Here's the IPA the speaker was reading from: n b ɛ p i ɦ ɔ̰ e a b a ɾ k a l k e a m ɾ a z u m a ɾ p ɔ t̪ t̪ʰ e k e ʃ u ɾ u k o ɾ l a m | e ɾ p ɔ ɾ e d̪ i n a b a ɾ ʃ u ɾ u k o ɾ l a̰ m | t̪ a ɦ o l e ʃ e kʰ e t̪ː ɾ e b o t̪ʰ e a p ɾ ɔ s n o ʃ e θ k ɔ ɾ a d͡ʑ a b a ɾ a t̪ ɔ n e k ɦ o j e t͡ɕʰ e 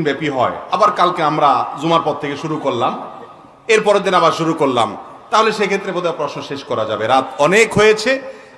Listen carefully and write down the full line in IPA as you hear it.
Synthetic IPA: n b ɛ p i ɦ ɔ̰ e a b a ɾ k a l k e a m ɾ a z u m a ɾ p ɔ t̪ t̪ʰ e k e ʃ u ɾ u k o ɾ l a m | e ɾ p ɔ ɾ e d̪ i n a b a ɾ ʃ u ɾ u k o ɾ l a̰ m | t̪ a ɦ o l e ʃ e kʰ e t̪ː ɾ e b o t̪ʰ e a p ɾ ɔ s n o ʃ e ʃ k ɔ ɾ a d͡ʑ a b e ɾ a t̪ ɔ n e k ɦ o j e t͡ɕʰ e